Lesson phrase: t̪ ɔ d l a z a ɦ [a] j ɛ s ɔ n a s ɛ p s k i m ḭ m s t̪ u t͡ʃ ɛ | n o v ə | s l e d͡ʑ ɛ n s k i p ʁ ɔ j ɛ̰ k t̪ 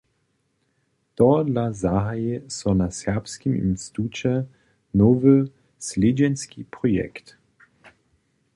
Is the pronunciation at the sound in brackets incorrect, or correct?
correct